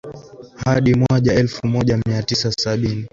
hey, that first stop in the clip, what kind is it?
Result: implosive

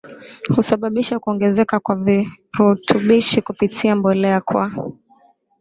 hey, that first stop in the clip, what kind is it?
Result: implosive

